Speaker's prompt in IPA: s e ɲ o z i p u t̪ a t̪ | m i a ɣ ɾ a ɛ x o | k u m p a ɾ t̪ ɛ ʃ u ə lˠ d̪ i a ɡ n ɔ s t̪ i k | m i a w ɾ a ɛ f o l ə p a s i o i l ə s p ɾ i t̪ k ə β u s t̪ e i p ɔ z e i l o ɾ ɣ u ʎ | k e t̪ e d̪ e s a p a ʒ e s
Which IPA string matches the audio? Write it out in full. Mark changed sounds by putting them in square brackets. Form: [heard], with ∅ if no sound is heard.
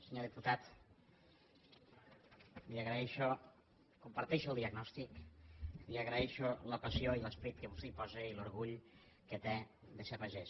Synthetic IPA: s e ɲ o [ð] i p u t̪ a t̪ | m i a ɣ ɾ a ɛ [ʃ] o | k u m p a ɾ t̪ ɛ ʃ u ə lˠ d̪ i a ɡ n ɔ s t̪ i k | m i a [ɣ] ɾ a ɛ [ʃ] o l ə p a s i o i l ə s p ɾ i t̪ k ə β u s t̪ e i p ɔ z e i l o ɾ ɣ u ʎ | k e t̪ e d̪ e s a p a ʒ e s